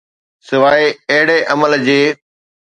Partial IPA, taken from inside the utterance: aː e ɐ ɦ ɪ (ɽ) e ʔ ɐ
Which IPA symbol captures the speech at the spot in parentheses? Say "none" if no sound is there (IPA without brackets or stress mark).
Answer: ɽ